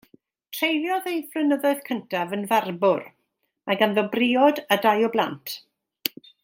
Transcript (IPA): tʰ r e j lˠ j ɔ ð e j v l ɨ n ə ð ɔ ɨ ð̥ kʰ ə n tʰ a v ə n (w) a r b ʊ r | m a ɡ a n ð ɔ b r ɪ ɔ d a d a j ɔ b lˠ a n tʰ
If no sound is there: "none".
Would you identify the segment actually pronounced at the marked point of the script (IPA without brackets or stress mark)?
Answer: v